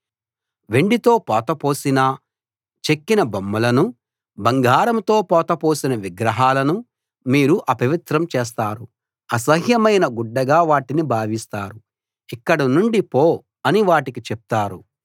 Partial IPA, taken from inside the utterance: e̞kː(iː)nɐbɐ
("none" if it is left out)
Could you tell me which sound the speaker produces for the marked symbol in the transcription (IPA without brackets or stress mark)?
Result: i